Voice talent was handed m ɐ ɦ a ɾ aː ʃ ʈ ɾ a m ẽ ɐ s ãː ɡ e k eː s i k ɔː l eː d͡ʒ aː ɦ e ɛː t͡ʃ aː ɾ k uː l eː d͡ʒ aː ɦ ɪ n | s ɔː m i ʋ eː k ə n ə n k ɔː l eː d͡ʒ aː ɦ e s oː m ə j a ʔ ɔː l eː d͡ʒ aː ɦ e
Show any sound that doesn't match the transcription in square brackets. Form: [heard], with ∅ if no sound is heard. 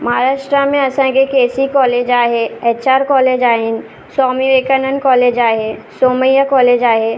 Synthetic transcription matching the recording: m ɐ ɦ a ɾ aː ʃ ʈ ɾ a m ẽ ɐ s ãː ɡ e k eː s i k ɔː l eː d͡ʒ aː ɦ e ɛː t͡ʃ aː ɾ k [ɔː] l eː d͡ʒ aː ɦ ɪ n | s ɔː m i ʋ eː k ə n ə n k ɔː l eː d͡ʒ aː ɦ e s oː m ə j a [k] ɔː l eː d͡ʒ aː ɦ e